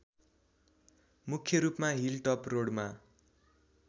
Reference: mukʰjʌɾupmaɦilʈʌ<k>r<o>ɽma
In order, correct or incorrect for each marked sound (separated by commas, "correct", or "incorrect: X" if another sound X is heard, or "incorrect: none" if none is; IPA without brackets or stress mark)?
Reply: incorrect: p, correct